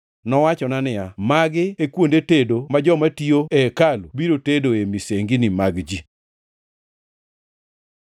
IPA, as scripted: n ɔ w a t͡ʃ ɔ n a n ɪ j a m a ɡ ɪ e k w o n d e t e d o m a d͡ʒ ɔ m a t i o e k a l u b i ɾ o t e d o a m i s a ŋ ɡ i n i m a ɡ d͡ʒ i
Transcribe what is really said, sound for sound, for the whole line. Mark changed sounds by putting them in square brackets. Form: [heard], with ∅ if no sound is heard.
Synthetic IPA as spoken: n ɔ w a t͡ʃ ɔ n a n ɪ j a m a ɡ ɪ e k w o n d e t e d o m a d͡ʒ ɔ m a t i o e k a l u b i ɾ o t e d o [e] m i s [e] ŋ ɡ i n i m a ɡ d͡ʒ i